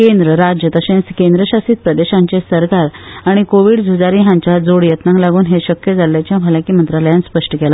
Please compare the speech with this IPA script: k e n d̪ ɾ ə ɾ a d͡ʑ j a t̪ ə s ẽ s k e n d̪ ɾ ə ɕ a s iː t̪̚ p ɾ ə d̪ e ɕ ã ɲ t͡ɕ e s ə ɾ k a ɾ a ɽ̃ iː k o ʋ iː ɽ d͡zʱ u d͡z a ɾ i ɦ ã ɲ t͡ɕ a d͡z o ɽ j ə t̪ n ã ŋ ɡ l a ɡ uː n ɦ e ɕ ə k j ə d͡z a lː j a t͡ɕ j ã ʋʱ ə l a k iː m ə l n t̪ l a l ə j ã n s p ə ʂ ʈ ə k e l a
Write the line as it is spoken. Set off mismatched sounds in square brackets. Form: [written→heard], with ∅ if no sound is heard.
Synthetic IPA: k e n d̪ ɾ ə ɾ a d͡ʑ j [a→ə] t̪ ə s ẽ s k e n d̪ ɾ ə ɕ a s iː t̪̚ p ɾ ə d̪ e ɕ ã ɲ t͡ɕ e s ə ɾ k a ɾ a ɽ̃ [iː→i] k o ʋ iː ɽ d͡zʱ u d͡z a ɾ i ɦ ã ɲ t͡ɕ a d͡z o ɽ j ə t̪ n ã ŋ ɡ l a ɡ uː n ɦ e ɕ ə k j ə d͡z a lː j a t͡ɕ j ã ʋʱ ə l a k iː m ə [l→∅] n t̪ [l→ɾ] a l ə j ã n s p ə ʂ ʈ ə k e l a